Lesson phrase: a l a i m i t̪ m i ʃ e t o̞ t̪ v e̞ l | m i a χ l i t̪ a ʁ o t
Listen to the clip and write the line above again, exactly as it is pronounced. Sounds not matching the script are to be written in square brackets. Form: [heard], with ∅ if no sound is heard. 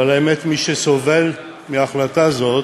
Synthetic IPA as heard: a l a [e] m [e] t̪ m i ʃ e [s] o̞ [∅] v e̞ l | m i a χ l [a] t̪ a [z] o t